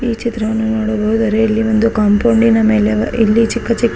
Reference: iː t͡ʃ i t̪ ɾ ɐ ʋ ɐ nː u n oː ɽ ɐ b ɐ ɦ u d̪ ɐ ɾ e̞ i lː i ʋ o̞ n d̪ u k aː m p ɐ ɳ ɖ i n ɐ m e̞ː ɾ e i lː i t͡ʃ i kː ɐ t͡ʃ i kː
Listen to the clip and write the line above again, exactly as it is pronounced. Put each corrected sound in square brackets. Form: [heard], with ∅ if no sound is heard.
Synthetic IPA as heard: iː t͡ʃ i t̪ ɾ ɐ ʋ ɐ nː u n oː ɽ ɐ b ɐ ɦ u d̪ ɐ ɾ e̞ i lː i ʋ o̞ n d̪ u k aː m p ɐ ɳ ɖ i n ɐ m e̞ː [l] e i lː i t͡ʃ i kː ɐ t͡ʃ i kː

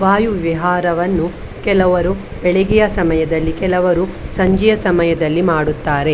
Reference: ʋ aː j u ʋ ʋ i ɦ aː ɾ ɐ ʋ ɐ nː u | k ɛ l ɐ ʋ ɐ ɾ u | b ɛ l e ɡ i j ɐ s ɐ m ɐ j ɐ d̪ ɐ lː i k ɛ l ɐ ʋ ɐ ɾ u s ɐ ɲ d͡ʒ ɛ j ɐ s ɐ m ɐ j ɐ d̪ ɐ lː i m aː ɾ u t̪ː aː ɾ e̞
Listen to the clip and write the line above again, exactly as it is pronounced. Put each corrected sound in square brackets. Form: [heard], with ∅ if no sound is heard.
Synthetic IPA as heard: ʋ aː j u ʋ ʋ i ɦ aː ɾ ɐ ʋ ɐ nː u | k ɛ l ɐ ʋ ɐ ɾ u | b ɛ [ɭ] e ɡ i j ɐ s ɐ m ɐ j ɐ d̪ ɐ lː i k ɛ l ɐ ʋ ɐ ɾ u s ɐ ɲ d͡ʒ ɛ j ɐ s ɐ m ɐ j ɐ d̪ ɐ lː i m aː [ɽ] u t̪ː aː ɾ e̞

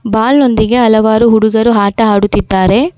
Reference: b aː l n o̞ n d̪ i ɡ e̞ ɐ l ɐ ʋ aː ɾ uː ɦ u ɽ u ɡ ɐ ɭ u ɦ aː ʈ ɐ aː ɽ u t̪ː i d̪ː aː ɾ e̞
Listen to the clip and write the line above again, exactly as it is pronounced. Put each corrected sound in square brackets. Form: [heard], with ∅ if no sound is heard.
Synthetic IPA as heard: b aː l n o̞ n d̪ i ɡ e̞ ɐ l ɐ ʋ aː ɾ [u] ɦ u ɽ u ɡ ɐ [ɾ] u ɦ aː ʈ ɐ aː ɽ u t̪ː i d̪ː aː ɾ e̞

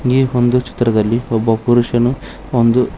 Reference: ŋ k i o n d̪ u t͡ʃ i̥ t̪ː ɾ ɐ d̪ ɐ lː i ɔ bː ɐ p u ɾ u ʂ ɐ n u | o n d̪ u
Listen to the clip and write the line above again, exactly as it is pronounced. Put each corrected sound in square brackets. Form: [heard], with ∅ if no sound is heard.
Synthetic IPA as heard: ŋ [ɡ] i o n d̪ u t͡ʃ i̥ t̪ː ɾ ɐ d̪ ɐ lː i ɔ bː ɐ p u ɾ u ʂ ɐ n u | o n d̪ u

